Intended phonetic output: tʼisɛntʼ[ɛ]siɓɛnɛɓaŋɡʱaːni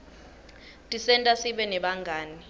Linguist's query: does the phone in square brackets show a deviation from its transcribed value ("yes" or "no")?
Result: yes